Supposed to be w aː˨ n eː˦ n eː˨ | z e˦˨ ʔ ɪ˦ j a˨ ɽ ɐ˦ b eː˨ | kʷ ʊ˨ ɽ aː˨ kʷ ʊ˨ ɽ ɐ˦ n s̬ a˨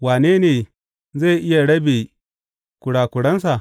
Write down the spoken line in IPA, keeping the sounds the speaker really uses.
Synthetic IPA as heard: w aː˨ n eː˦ n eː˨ | z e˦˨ ʔ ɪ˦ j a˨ ɽ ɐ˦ b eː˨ | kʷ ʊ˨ ɽ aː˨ kʷ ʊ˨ ɽ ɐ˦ n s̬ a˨